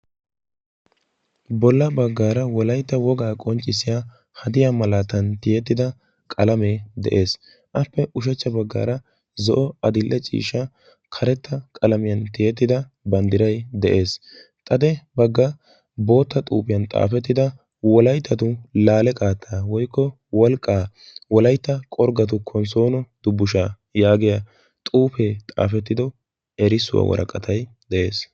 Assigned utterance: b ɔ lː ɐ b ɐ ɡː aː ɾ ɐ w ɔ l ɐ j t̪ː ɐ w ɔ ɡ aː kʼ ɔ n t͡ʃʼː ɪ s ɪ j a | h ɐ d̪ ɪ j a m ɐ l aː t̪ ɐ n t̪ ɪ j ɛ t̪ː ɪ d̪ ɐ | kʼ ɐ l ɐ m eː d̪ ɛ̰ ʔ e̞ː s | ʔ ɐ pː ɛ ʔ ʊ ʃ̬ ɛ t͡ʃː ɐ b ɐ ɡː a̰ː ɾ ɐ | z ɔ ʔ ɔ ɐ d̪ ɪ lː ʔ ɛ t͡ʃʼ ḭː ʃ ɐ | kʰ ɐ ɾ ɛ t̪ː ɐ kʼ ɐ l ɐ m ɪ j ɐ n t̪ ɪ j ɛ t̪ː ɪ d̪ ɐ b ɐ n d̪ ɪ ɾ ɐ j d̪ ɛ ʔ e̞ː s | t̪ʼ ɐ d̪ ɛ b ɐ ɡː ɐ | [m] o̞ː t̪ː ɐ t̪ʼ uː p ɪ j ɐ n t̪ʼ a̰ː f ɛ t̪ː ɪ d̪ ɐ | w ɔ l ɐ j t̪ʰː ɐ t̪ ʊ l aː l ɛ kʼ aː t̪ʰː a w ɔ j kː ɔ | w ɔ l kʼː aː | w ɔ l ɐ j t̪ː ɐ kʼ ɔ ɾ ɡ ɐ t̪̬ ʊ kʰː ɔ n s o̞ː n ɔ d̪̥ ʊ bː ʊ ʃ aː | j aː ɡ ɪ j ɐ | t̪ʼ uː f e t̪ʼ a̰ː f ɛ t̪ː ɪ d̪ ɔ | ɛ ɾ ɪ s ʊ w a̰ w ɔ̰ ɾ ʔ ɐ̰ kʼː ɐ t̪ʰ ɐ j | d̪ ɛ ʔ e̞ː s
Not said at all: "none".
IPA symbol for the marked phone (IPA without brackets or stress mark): b